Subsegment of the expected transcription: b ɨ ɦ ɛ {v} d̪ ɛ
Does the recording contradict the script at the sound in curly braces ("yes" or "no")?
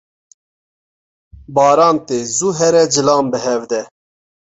no